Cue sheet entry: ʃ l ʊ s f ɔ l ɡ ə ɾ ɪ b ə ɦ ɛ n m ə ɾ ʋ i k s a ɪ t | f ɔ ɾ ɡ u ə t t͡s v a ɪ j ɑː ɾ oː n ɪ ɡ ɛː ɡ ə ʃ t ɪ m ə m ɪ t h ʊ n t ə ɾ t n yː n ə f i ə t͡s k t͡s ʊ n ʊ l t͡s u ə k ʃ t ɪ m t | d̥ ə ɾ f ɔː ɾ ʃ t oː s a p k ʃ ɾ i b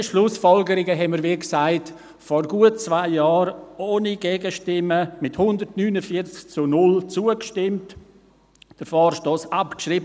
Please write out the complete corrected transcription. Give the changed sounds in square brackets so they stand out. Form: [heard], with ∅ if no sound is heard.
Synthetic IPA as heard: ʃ l ʊ s f ɔ l ɡ ə ɾ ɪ [ɡ] ə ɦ ɛ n m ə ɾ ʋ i k s a ɪ t | f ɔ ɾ ɡ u ə t t͡s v a ɪ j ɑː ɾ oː n [i] ɡ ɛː ɡ ə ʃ t ɪ m ə m ɪ t h ʊ n [d] ə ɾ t n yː n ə f i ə t͡s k t͡s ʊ n ʊ l t͡s u ə k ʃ t ɪ m t | d̥ ə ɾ f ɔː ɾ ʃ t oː s a p k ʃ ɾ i b

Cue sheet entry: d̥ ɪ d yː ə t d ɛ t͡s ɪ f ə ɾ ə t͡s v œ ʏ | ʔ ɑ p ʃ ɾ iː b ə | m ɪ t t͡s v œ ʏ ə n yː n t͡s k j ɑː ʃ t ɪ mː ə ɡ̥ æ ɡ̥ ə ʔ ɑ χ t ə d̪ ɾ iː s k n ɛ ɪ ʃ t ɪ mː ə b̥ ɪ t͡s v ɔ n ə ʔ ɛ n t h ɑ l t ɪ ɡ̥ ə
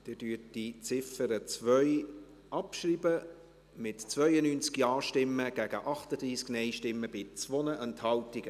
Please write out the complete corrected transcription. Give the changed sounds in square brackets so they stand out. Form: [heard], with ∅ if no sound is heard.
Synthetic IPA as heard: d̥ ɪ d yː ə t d [i] t͡s ɪ f ə ɾ ə t͡s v œ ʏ | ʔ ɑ p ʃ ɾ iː b ə | m ɪ t t͡s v œ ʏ ə n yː n t͡s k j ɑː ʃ t ɪ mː ə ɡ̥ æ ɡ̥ ə ʔ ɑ χ t ə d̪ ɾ iː s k n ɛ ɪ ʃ t ɪ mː ə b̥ ɪ t͡s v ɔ n ə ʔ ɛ n t h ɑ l t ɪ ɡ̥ ə

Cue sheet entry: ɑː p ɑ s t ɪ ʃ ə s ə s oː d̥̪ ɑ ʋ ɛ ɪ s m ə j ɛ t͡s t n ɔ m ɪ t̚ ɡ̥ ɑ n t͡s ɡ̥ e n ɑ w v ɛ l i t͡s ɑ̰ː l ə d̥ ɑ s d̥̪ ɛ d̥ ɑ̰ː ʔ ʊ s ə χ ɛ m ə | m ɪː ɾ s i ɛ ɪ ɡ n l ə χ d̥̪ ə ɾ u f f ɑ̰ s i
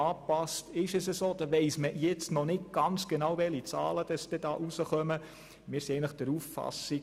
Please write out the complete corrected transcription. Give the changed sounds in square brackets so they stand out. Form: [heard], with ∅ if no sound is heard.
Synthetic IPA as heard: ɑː p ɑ s t ɪ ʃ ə s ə s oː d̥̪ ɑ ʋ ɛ ɪ s m ə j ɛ t͡s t n ɔ [n] ɪ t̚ ɡ̥ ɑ n t͡s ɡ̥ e n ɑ w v ɛ l i t͡s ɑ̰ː l ə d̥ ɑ s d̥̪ ɛ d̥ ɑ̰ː ʔ [u] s ə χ [œ] m ə | m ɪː ɾ s i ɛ ɪ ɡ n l ə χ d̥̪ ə ɾ u f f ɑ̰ s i

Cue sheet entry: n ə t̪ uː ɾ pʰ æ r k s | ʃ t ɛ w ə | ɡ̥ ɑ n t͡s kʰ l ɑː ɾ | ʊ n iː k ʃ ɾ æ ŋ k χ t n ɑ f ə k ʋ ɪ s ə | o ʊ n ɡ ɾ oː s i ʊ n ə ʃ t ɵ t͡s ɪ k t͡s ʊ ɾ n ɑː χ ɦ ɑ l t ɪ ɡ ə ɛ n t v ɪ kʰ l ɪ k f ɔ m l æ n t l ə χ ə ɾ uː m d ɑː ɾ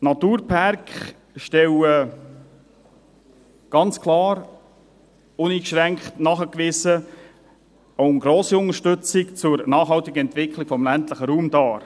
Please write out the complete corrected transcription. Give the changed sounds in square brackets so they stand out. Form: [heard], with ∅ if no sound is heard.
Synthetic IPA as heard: n [ɑ] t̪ uː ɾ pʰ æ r k [χ] | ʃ t ɛ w ə | ɡ̥ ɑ n t͡s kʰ l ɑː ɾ | ʊ n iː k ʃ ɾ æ ŋ k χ t n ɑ [χ] ə k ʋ ɪ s ə | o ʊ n ɡ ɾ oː s i ʊ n ə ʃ t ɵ t͡s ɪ k t͡s ʊ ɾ n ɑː χ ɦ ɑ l t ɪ ɡ ə ɛ n t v ɪ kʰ l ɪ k f ɔ m l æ n t l ə χ ə ɾ uː m d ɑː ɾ

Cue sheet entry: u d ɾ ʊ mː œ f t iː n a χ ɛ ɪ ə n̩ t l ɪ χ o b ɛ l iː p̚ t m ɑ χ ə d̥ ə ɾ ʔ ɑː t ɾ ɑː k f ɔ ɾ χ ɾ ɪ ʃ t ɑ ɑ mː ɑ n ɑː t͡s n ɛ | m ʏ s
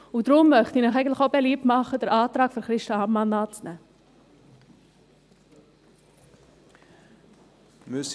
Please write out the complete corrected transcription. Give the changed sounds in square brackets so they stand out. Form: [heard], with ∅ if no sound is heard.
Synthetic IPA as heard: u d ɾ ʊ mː œ [χ] t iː n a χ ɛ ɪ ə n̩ t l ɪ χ o b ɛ l iː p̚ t m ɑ χ ə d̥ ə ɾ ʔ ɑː t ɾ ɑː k f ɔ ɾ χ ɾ ɪ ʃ t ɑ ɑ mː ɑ n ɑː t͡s n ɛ | m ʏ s

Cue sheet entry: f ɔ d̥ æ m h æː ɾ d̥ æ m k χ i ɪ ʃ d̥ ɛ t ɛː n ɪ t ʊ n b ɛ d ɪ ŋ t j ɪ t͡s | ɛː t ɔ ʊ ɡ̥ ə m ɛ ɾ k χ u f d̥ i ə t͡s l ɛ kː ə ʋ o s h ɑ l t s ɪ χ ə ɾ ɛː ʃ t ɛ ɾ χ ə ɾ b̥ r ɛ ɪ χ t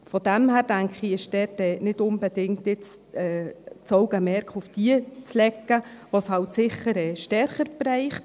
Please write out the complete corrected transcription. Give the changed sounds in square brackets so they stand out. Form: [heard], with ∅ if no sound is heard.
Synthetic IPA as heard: f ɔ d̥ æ m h æː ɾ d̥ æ [ŋ] k χ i ɪ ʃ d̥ ɛ t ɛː n ɪ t ʊ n b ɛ d ɪ ŋ t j ɪ t͡s | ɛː [t͡s] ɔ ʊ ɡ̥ ə m ɛ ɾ k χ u f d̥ i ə t͡s l ɛ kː ə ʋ o s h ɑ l t s ɪ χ ə ɾ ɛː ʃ t ɛ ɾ χ ə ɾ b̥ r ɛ ɪ χ t

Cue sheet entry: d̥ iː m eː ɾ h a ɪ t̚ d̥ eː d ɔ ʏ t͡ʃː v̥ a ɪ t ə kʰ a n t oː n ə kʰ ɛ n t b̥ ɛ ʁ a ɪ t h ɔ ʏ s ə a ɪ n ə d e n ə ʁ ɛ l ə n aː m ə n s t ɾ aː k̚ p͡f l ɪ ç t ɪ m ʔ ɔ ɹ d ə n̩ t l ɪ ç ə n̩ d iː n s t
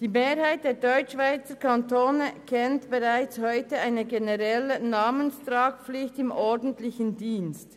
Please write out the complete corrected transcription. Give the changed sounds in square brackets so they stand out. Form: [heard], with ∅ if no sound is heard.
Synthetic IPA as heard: d̥ iː m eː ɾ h a ɪ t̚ d̥ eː d ɔ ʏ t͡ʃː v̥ a ɪ [t͡s] ə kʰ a n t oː n ə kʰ ɛ n t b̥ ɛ ʁ a ɪ [t͡s] h ɔ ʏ [t] ə a ɪ n ə [ɡ] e n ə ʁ ɛ l ə n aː m ə n s t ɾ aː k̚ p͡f l ɪ ç t ɪ m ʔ ɔ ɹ d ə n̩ t l ɪ ç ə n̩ d iː n s t

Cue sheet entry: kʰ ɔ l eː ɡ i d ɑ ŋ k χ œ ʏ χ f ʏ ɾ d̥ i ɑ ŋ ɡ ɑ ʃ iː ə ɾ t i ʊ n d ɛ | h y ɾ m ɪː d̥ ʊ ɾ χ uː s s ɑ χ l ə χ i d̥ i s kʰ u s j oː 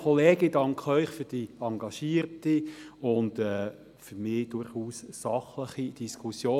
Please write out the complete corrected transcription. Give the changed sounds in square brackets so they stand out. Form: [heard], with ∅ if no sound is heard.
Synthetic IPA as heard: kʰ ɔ l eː ɡ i d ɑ ŋ k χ œ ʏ χ f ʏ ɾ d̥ i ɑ ŋ ɡ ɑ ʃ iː ə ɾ t i ʊ n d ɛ | [f] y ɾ m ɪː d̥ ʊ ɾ χ uː s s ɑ χ l ə χ i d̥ i s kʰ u s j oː

